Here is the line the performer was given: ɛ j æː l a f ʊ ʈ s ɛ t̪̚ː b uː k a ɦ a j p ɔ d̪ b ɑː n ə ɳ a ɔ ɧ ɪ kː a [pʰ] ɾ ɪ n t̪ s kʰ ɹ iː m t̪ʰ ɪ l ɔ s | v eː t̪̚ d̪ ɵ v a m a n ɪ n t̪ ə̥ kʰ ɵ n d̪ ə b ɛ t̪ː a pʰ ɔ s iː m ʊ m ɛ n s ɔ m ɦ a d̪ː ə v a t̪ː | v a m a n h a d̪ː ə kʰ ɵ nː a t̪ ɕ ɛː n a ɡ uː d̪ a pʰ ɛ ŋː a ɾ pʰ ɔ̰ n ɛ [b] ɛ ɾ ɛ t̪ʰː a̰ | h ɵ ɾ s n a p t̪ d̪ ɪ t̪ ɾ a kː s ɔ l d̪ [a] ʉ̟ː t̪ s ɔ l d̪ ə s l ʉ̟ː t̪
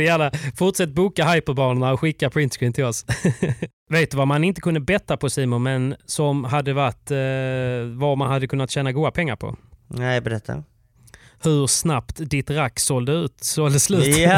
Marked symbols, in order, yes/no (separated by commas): yes, yes, no